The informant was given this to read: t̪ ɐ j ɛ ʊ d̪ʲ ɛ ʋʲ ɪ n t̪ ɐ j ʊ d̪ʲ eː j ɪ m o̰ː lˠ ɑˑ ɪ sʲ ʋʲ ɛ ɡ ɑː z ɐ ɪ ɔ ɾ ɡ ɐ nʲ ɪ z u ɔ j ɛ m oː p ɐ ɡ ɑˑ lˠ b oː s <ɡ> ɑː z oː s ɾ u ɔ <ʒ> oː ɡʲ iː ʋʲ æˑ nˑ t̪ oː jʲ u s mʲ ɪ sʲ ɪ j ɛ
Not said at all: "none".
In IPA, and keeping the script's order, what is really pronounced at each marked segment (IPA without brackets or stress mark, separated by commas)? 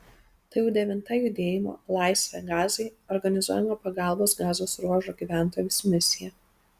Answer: ɡ, ʒ